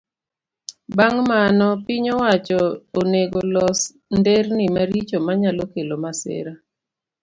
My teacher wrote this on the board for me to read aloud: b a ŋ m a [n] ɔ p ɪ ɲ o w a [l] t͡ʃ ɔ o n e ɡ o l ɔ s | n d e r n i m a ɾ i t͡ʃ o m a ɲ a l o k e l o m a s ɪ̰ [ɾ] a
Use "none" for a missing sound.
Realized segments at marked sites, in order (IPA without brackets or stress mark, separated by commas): n, none, ɾ